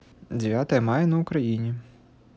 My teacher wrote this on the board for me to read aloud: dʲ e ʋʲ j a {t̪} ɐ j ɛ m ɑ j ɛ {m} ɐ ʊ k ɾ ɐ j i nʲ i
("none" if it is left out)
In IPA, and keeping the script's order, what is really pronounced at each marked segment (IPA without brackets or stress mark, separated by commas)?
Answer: t̪, n